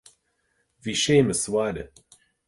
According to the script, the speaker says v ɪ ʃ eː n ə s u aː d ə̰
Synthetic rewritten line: v i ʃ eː m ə s w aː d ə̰